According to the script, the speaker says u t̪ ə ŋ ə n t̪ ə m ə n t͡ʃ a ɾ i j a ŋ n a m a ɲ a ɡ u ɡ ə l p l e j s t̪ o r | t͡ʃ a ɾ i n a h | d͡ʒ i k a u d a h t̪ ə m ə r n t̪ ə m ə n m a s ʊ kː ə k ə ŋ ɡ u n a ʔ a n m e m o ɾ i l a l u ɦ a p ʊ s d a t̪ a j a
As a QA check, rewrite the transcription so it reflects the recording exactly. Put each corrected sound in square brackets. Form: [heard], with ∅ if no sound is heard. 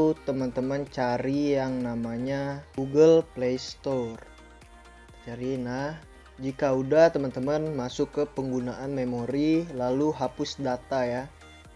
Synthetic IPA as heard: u t̪ ə [m] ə n t̪ ə m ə n t͡ʃ a ɾ i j a ŋ n a m a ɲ a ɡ u ɡ ə l p l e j s t̪ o r | t͡ʃ a ɾ i n a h | d͡ʒ i k a u d a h t̪ ə m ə [∅] n t̪ ə m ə n m a s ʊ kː ə [p] ə ŋ ɡ u n a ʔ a n m e m o ɾ i l a l u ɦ a p ʊ s d a t̪ a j a